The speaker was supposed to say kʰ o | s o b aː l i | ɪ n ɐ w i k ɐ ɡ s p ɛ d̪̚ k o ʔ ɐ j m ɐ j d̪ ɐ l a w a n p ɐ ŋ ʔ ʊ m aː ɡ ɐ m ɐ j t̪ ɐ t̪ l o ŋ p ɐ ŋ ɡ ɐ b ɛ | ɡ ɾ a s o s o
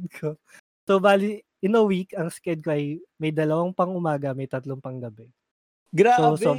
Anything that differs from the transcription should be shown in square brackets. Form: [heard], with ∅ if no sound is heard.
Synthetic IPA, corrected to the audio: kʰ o | s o b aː l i | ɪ n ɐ w i k ɐ [ŋ] s [k] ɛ d̪̚ k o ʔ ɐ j m ɐ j d̪ ɐ l [ɐ] w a [ŋ] p ɐ ŋ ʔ ʊ m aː ɡ ɐ m ɐ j t̪ ɐ t̪ l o ŋ p ɐ ŋ ɡ ɐ b ɛ | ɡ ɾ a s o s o